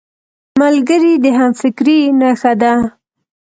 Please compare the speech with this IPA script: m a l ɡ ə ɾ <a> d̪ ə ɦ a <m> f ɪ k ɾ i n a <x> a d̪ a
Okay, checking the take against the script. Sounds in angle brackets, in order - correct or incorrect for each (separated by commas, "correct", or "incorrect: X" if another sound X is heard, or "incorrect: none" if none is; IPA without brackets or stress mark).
incorrect: i, correct, correct